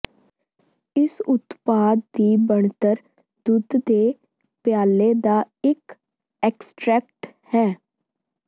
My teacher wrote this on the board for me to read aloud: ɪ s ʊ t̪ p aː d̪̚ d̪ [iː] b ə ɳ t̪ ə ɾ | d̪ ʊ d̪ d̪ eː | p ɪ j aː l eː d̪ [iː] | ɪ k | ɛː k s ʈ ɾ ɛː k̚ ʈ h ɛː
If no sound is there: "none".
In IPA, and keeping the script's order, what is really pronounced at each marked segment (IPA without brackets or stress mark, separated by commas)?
iː, aː